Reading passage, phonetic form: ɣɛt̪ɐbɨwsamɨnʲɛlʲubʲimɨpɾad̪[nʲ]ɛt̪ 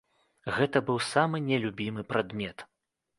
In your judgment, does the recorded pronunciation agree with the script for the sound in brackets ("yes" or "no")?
no